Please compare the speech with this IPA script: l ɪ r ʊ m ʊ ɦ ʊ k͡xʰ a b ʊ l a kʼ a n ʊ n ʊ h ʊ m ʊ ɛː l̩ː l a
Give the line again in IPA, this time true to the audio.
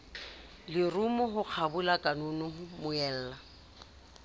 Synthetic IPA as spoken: l ɪ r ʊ m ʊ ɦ ʊ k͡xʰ a b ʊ l a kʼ a n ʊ n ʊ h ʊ m ʊ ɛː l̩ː l a

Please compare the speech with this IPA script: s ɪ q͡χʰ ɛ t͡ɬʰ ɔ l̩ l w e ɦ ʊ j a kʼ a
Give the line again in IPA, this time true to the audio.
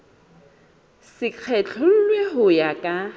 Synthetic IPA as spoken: s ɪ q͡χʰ ɛ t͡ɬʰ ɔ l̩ l w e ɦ ʊ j a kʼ a

